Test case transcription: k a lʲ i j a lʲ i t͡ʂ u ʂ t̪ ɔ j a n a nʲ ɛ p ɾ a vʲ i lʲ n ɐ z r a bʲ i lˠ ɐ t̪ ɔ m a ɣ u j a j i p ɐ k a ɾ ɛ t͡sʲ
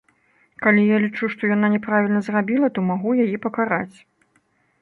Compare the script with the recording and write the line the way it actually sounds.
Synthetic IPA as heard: k a lʲ i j a lʲ i t͡ʂ u ʂ t̪ ɔ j a n a nʲ ɛ p ɾ a vʲ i lʲ n ɐ z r a bʲ i lˠ ɐ t̪ ɔ m a ɣ u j a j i p ɐ k a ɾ a t͡sʲ